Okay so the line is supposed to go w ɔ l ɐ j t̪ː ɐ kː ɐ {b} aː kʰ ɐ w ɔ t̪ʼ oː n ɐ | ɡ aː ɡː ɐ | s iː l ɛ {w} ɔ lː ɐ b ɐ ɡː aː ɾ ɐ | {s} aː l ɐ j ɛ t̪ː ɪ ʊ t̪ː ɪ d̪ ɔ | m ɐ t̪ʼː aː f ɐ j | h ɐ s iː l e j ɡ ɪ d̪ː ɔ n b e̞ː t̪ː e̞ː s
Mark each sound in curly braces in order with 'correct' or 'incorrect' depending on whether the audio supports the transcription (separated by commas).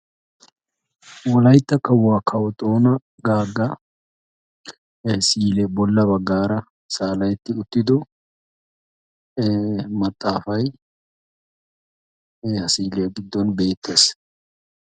incorrect, incorrect, correct